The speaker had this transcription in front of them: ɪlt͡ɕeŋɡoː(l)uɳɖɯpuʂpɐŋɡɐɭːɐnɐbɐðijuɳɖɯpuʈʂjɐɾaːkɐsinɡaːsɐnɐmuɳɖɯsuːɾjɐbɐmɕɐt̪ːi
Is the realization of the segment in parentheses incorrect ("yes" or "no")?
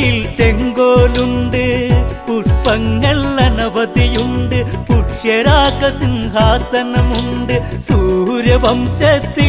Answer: no